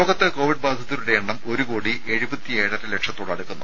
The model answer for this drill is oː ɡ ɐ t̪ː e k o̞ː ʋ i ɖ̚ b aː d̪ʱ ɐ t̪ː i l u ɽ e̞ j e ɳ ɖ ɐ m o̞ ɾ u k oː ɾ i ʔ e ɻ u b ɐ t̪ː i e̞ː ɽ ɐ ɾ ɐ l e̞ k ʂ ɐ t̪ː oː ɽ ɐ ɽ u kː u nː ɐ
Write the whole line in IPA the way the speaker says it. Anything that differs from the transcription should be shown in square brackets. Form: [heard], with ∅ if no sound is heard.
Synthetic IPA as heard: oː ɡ ɐ t̪ː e k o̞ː ʋ i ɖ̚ b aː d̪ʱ ɐ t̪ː i l u ɽ e̞ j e ɳ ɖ ɐ m o̞ ɾ u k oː [ɽ] i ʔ e ɻ u b ɐ t̪ː i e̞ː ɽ ɐ ɾ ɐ l e̞ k ʂ ɐ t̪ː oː ɽ ɐ ɽ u kː u nː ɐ

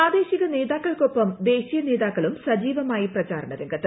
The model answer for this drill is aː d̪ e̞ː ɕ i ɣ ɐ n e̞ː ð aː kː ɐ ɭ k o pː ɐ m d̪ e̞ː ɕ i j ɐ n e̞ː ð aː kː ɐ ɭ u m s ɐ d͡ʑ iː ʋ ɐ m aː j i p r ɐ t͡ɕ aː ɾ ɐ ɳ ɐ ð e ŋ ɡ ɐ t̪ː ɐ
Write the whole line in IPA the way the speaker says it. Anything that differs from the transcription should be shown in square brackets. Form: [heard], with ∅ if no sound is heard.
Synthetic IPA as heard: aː d̪ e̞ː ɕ i ɣ ɐ n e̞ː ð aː kː ɐ ɭ k o pː ɐ m d̪ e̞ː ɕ i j ɐ n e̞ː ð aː kː ɐ ɭ u m s ɐ d͡ʑ iː ʋ ɐ m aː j i p r ɐ t͡ɕ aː ɾ ɐ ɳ ɐ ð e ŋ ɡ ɐ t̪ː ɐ

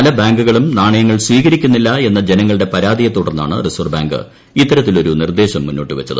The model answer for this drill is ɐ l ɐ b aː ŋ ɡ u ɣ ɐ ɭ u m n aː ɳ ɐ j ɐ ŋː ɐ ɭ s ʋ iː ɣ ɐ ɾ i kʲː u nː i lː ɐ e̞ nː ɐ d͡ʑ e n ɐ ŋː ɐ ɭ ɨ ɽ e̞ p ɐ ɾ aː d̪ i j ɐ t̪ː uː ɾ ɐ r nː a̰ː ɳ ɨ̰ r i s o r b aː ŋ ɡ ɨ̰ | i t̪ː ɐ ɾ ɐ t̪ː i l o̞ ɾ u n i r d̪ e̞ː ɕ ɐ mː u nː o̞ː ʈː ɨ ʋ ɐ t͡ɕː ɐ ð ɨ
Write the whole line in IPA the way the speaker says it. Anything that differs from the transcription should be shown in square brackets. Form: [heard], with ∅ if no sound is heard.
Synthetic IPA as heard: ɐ l ɐ b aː ŋ ɡ u ɣ ɐ ɭ u m n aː ɳ ɐ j ɐ ŋː ɐ ɭ s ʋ iː ɣ ɐ ɾ i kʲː u nː i lː ɐ e̞ nː ɐ d͡ʑ e n ɐ ŋː ɐ ɭ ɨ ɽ e̞ p ɐ ɾ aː d̪ i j ɐ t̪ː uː [ɽ] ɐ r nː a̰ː ɳ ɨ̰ r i s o r b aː ŋ ɡ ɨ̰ | i t̪ː ɐ ɾ ɐ t̪ː i l o̞ ɾ u n i r d̪ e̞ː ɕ ɐ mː u nː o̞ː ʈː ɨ ʋ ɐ t͡ɕː ɐ ð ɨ

